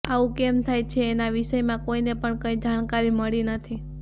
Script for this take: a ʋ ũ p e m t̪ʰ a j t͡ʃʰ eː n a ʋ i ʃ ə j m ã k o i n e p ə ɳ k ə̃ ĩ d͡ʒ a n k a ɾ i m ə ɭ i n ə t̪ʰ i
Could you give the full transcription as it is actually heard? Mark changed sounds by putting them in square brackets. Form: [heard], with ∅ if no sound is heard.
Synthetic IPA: a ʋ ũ [k] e m t̪ʰ a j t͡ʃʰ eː n a ʋ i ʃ ə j m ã k o i n e p ə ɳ k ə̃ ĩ d͡ʒ a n k a ɾ i m ə ɭ i n ə t̪ʰ i